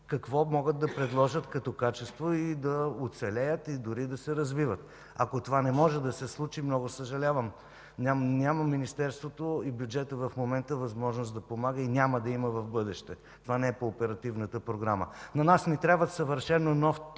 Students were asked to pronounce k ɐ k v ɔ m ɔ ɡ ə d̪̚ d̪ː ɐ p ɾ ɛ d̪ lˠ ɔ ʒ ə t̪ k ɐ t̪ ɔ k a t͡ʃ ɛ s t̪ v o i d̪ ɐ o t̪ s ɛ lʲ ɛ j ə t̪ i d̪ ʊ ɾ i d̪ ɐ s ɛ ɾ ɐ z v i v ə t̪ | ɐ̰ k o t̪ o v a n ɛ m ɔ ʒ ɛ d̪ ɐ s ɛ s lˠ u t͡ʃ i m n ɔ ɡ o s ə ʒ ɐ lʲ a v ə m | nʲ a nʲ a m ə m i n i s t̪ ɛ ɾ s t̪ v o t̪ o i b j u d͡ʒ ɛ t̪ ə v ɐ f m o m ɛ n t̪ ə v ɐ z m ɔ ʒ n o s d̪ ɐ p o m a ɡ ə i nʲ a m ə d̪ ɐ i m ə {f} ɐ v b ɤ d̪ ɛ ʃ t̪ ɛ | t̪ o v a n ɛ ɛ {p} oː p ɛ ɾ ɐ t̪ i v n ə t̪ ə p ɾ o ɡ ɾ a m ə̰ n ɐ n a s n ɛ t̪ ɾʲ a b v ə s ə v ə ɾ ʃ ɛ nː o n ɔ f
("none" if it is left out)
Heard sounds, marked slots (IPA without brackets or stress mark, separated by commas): v, p